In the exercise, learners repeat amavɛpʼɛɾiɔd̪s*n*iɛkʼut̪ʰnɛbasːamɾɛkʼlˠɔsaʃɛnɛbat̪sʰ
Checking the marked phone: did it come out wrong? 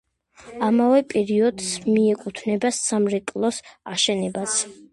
yes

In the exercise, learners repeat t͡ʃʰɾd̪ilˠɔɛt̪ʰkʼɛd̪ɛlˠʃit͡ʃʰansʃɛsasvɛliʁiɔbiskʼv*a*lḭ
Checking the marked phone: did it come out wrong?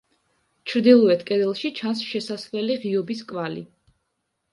no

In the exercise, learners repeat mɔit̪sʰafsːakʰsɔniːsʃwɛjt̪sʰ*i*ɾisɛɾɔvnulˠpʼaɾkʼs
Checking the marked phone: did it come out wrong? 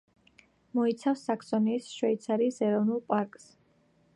yes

